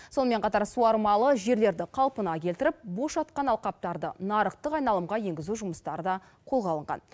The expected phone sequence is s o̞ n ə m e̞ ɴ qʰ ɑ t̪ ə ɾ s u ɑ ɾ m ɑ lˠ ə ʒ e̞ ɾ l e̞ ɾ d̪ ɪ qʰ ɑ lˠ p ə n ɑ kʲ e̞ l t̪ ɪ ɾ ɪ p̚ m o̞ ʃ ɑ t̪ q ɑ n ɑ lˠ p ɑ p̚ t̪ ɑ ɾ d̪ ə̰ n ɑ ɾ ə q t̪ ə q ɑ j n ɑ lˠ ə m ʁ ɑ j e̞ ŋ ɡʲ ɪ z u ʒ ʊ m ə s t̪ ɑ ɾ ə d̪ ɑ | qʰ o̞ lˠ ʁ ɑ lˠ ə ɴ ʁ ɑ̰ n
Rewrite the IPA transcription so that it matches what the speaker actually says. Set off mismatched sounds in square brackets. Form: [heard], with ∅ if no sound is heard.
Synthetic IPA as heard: s o̞ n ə m e̞ ɴ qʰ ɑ t̪ [ɑ] ɾ s u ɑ ɾ m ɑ lˠ ə ʒ e̞ ɾ l e̞ ɾ d̪ ɪ qʰ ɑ lˠ p ə n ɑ kʲ e̞ l t̪ ɪ ɾ ɪ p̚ [b] o̞ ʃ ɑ t̪ q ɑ n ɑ lˠ [q] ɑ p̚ t̪ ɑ ɾ d̪ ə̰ n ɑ ɾ ə q t̪ ə q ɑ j n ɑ lˠ ə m ʁ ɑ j e̞ ŋ ɡʲ ɪ z u ʒ ʊ m ə s t̪ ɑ ɾ ə d̪ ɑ | qʰ o̞ lˠ ʁ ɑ lˠ ə ɴ ʁ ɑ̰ n